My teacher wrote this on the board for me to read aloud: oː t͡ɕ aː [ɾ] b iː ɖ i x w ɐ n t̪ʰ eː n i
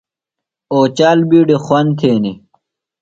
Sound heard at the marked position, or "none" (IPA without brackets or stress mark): l